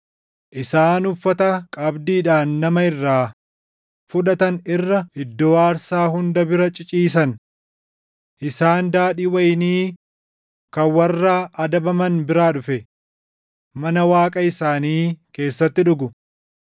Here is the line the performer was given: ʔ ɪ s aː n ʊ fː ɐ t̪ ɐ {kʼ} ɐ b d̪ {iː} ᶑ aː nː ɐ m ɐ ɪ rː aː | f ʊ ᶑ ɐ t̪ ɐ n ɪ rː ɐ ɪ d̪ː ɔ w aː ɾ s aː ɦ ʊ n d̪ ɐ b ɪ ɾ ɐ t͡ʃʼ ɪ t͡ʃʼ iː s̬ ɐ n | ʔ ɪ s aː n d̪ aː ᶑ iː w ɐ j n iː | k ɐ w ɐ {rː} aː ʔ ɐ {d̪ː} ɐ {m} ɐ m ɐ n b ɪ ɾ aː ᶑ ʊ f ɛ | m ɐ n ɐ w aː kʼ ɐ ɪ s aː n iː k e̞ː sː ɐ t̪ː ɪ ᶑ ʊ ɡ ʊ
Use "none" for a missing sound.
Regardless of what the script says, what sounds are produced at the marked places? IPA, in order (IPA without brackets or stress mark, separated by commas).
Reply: kʼ, iː, rː, d̪, b